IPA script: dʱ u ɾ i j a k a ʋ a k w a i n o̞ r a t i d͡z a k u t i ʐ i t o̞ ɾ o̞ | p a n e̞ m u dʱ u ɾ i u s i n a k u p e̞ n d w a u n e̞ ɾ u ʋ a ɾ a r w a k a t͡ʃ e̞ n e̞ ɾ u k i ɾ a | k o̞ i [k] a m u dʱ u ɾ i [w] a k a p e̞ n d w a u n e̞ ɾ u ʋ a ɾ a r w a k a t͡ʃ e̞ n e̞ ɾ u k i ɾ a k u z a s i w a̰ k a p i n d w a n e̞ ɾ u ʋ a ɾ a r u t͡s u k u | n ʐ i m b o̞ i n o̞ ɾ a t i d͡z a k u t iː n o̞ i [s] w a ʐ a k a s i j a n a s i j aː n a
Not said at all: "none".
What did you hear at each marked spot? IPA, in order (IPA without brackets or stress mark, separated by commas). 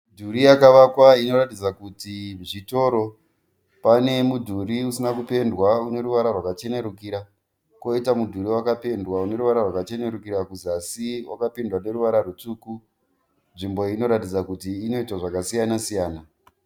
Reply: t, w, t